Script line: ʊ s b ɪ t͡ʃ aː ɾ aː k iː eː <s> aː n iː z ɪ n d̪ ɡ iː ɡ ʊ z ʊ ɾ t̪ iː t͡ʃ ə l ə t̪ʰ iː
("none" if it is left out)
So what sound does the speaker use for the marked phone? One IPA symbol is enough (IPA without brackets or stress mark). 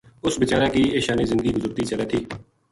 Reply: ʃ